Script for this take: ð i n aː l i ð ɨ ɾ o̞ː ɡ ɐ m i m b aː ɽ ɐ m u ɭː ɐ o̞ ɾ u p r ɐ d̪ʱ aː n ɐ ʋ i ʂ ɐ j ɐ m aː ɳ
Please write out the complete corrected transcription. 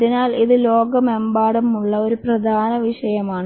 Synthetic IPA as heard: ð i n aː l i ð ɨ l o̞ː ɡ ɐ m e m b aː ɽ ɐ m u ɭː ɐ o̞ ɾ u p r ɐ d̪ʱ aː n ɐ ʋ i ʂ ɐ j ɐ m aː ɳ